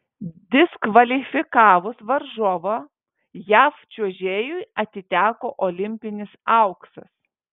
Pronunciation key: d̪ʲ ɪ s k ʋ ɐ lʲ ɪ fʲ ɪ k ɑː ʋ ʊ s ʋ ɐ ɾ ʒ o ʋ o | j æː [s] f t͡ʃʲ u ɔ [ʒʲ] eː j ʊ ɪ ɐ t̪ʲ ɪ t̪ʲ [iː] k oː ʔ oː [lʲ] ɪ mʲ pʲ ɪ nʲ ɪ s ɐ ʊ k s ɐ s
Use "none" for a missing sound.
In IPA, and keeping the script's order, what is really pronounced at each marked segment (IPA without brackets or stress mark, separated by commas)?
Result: none, ʒʲ, æː, lʲ